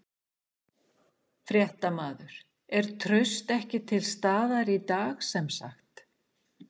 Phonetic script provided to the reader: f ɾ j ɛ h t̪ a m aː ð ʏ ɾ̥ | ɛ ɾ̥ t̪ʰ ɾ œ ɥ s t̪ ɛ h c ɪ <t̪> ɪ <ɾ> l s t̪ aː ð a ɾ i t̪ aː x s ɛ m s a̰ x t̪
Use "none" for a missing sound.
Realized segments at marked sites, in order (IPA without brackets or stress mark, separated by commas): t̪ʰ, none